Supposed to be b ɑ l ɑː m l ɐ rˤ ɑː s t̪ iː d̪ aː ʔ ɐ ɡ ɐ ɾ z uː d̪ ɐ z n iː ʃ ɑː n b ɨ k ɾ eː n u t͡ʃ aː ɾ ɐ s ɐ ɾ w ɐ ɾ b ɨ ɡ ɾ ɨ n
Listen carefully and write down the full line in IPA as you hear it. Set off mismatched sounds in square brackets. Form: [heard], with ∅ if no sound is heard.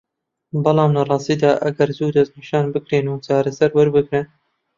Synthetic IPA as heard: b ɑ l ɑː m l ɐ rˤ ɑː s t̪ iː d̪ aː ʔ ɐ ɡ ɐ ɾ z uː d̪ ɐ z n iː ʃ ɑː n b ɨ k ɾ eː n u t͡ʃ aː ɾ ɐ s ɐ ɾ w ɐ ɾ b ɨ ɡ ɾ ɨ n